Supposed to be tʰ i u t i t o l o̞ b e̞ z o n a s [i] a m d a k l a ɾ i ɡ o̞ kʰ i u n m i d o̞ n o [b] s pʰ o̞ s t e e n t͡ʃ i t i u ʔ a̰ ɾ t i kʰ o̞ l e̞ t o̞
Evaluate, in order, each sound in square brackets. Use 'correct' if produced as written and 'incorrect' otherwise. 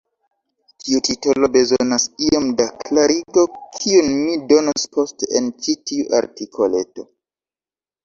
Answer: correct, incorrect: none

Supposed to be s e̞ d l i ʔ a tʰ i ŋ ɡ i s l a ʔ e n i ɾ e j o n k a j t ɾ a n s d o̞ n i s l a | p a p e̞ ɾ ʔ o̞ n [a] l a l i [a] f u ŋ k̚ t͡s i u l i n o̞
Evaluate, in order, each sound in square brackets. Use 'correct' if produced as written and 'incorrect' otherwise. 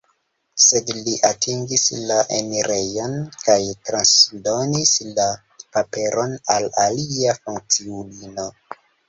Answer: correct, correct

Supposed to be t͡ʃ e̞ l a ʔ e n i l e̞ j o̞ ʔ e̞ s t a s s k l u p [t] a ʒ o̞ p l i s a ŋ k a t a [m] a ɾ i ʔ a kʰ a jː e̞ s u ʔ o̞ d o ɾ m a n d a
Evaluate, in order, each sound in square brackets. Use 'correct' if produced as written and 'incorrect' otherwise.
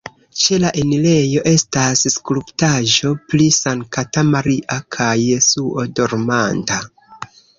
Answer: correct, correct

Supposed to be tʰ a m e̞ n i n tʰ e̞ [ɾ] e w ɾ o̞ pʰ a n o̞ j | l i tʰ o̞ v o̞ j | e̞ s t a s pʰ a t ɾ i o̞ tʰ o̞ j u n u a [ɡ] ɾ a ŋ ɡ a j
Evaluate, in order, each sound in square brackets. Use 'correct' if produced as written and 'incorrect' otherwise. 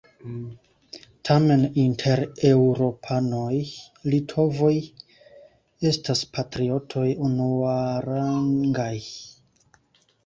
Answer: correct, incorrect: none

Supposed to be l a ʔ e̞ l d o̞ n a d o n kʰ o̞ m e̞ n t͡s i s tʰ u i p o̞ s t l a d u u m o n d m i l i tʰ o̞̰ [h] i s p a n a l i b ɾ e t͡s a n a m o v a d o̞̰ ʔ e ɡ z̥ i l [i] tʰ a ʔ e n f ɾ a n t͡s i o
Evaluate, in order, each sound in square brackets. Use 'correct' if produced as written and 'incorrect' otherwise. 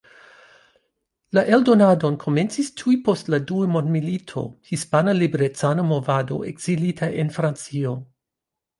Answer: correct, correct

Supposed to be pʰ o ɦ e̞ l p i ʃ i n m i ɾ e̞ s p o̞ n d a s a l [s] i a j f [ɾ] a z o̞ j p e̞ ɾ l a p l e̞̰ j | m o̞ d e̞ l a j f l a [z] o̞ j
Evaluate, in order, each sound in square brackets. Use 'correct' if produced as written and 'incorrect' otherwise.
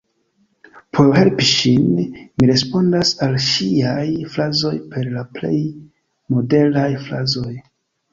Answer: incorrect: ʃ, incorrect: l, correct

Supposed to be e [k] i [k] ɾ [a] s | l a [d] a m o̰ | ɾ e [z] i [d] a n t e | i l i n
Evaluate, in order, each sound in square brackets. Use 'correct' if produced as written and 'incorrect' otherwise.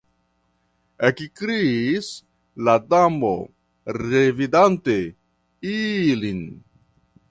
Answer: correct, correct, incorrect: i, correct, incorrect: v, correct

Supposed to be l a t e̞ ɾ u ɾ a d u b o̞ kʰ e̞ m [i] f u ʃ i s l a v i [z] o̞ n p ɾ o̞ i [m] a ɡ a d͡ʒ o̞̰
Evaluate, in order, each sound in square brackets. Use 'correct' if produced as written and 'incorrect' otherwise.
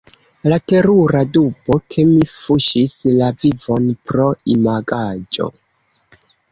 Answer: correct, incorrect: v, correct

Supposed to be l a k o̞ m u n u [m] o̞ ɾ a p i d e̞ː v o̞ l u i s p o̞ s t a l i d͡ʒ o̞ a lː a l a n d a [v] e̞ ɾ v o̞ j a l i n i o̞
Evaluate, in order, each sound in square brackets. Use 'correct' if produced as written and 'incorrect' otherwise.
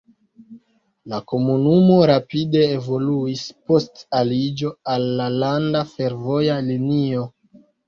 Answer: correct, incorrect: f

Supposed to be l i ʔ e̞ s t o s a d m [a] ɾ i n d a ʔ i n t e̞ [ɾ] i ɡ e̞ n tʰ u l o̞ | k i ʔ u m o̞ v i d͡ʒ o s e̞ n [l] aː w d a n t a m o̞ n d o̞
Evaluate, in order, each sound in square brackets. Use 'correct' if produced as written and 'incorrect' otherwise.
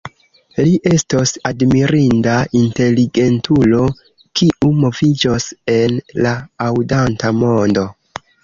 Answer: incorrect: i, incorrect: l, correct

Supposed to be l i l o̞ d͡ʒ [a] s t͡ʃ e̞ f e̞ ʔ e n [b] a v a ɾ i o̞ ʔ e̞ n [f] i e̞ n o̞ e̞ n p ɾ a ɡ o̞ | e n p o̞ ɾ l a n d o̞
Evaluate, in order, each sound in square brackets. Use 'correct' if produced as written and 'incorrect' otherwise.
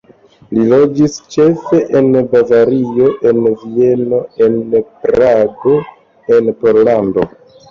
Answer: incorrect: i, correct, incorrect: v

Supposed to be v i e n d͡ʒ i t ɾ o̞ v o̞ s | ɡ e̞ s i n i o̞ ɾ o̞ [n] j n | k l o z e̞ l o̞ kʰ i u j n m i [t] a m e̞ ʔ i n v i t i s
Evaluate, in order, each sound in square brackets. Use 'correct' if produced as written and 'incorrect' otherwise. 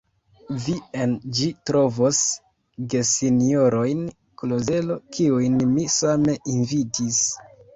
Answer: incorrect: none, incorrect: s

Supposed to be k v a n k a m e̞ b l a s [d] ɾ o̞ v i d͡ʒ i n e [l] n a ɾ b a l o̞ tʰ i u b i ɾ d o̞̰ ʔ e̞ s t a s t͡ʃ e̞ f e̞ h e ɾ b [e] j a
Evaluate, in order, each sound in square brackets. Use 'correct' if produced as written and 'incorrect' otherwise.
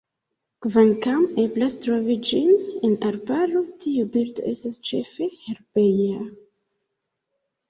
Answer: incorrect: t, incorrect: none, correct

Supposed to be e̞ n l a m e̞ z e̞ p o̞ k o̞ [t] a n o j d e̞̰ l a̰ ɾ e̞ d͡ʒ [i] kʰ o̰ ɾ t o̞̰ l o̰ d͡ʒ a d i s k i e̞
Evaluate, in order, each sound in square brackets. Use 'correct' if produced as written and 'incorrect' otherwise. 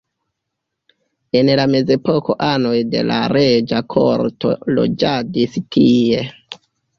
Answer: incorrect: ʔ, incorrect: a

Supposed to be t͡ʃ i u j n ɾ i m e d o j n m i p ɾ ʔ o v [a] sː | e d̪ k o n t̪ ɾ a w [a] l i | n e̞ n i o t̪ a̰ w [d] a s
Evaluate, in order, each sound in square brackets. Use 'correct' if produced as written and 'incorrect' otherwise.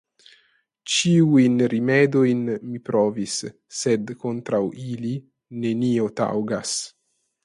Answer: incorrect: i, incorrect: i, incorrect: ɡ

